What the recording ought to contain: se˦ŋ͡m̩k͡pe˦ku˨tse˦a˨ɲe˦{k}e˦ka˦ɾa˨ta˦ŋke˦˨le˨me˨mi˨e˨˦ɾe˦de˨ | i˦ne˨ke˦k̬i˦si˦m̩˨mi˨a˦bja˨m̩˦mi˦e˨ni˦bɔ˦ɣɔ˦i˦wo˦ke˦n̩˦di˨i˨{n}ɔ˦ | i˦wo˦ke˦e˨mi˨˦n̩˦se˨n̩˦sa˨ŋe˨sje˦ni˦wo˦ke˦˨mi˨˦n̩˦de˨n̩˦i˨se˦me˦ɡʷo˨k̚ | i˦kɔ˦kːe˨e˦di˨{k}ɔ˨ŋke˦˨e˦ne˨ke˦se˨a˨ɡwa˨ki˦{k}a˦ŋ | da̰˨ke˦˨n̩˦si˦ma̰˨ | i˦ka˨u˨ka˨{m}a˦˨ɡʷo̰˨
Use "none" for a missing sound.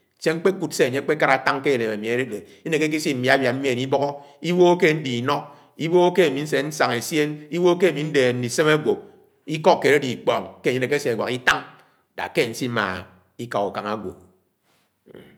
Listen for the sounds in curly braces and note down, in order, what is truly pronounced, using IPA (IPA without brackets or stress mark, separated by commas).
k͡p, n, k͡p, t, ŋ